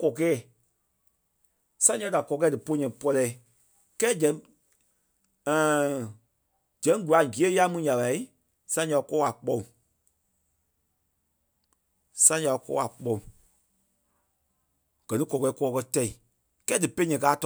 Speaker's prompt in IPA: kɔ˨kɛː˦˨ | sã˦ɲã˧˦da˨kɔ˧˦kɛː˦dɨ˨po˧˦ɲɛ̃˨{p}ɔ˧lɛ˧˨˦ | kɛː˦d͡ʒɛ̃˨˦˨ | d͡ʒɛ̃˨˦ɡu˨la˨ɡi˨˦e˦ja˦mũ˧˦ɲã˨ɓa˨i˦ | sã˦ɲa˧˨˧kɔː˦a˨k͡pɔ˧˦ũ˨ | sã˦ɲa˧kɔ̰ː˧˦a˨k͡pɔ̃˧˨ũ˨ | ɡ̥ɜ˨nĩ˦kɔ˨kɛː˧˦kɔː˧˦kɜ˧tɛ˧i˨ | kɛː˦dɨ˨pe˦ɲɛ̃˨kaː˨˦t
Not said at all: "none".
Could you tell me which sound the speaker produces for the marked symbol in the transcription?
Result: p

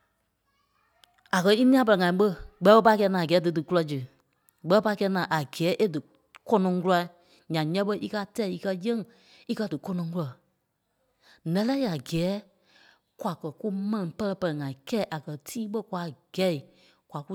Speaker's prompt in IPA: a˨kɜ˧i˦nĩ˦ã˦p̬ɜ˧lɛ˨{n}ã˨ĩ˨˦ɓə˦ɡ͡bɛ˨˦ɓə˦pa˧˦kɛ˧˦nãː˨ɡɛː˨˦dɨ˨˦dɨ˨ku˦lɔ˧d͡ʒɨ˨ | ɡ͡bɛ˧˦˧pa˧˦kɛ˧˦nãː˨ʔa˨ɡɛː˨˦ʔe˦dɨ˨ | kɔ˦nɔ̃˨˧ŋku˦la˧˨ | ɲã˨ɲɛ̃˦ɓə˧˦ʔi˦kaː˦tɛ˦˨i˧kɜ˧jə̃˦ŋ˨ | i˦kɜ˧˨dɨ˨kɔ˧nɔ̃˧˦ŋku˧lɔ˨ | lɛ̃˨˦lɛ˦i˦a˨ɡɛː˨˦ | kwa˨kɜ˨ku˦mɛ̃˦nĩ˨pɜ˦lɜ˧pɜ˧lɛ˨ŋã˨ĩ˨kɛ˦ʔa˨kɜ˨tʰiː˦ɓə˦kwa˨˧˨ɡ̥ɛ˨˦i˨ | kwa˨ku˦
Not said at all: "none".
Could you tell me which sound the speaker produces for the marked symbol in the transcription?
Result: ŋ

